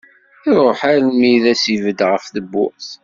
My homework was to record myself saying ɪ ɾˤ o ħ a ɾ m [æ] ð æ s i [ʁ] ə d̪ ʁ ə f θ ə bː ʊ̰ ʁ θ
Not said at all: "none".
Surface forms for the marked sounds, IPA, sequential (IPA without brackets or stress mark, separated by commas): i, v